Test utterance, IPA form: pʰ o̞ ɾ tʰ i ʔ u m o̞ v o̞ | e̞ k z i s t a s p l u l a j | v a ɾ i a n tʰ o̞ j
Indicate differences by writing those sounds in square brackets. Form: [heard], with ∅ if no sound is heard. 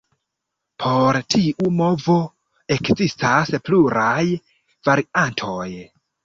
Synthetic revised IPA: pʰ o̞ ɾ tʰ i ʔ u m o̞ v o̞ | e̞ k z i s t a s p l u [ɾ] a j | v a ɾ i a n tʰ o̞ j